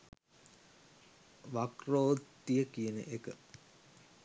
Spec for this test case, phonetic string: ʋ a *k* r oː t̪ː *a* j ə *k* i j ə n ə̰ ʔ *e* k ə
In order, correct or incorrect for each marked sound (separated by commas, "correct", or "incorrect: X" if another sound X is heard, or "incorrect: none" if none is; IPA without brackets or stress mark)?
correct, incorrect: i, correct, correct